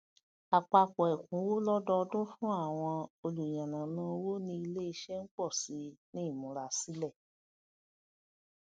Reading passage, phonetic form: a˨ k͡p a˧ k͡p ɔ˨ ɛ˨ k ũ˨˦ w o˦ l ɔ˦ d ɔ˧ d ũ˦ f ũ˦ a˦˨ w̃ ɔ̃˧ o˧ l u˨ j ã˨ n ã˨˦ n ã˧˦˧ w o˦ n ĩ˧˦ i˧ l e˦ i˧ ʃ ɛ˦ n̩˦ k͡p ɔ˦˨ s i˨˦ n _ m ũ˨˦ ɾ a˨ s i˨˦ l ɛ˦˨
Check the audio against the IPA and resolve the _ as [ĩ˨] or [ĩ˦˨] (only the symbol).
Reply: ĩ˦˨